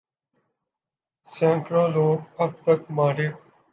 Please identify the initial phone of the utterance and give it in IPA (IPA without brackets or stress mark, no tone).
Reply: s